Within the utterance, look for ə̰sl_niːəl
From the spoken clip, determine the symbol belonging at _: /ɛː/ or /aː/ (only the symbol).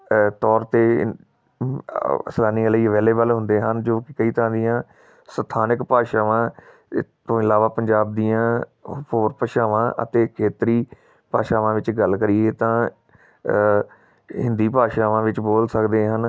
aː